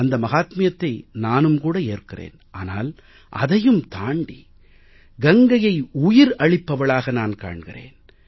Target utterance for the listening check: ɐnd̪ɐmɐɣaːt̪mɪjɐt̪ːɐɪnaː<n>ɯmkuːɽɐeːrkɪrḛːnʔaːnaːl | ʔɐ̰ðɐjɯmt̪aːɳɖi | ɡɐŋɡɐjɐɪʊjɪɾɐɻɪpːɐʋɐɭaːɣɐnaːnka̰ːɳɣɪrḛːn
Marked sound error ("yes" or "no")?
no